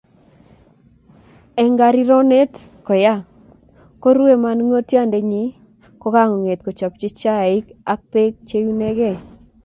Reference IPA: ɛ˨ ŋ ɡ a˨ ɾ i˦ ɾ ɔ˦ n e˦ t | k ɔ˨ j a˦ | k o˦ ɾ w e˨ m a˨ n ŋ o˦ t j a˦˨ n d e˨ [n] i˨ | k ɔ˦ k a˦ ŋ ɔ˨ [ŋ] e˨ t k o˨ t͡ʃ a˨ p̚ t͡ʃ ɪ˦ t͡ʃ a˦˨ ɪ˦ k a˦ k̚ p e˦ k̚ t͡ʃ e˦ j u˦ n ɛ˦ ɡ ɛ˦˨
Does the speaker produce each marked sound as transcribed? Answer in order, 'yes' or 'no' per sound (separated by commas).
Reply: no, yes